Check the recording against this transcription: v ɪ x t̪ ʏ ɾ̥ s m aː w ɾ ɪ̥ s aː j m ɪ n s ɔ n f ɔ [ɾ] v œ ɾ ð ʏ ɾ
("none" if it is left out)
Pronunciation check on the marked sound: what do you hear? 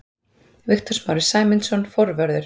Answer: ɾ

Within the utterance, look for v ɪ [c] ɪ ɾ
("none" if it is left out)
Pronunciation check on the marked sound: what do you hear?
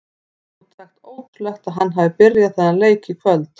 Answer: p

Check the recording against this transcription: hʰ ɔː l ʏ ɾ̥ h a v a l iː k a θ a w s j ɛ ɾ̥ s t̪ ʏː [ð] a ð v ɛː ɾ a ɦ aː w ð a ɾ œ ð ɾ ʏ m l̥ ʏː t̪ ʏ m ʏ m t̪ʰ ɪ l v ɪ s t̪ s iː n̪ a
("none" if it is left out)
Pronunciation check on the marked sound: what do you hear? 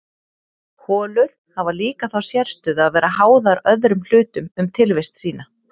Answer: ð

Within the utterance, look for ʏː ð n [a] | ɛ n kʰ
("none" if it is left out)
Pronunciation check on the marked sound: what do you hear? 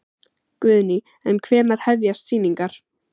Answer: i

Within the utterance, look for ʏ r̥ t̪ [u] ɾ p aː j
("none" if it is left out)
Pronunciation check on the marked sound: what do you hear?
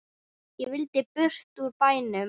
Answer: u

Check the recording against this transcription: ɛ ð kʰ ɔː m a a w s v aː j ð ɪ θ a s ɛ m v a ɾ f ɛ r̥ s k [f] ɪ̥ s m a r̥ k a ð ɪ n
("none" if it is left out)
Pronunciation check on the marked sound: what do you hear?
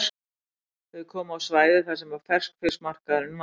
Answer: f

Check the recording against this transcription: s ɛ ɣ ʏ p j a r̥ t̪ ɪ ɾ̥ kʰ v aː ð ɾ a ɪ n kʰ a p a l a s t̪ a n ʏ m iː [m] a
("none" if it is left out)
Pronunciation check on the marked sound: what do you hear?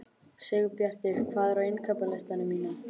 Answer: n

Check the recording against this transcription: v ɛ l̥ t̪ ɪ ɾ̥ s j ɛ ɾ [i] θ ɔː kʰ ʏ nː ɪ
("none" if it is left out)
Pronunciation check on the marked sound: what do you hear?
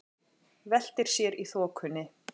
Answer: i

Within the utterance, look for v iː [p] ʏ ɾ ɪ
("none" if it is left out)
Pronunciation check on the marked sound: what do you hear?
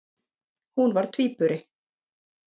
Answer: p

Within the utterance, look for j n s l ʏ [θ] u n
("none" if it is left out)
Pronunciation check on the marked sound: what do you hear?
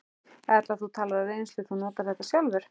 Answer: θ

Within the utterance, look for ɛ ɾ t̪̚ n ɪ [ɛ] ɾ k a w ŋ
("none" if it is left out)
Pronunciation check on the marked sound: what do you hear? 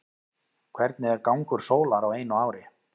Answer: ɛ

